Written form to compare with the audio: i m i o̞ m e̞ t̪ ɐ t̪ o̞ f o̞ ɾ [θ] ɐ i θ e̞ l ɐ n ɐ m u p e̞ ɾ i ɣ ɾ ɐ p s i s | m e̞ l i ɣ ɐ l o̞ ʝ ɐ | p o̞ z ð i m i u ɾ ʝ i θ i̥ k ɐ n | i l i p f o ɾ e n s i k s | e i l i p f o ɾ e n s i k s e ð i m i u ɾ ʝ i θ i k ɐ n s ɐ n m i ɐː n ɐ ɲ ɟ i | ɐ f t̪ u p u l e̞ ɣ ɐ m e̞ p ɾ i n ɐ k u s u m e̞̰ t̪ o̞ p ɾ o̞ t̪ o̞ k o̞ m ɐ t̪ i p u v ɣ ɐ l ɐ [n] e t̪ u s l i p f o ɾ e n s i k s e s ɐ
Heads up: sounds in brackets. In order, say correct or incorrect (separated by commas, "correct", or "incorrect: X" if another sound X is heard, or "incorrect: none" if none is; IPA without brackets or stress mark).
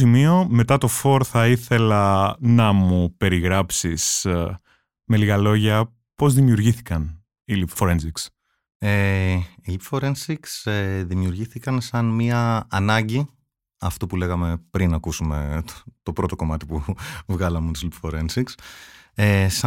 correct, incorrect: m